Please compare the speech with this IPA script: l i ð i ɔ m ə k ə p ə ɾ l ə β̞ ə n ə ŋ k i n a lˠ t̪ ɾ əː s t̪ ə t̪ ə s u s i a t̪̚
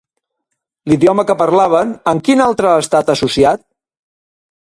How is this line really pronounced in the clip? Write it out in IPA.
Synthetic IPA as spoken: l i ð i ɔ m ə k ə p ə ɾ l a β̞ ə n ə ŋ k i n a lˠ t̪ ɾ əː s t̪ a t̪ ə s u s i a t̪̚